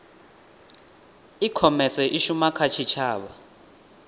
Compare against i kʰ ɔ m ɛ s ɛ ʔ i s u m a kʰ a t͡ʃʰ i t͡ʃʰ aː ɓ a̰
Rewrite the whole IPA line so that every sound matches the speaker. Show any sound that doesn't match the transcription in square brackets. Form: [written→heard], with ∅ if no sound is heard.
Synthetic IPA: i kʰ ɔ m ɛ s ɛ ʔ i [s→ʃ] u m a kʰ a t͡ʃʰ i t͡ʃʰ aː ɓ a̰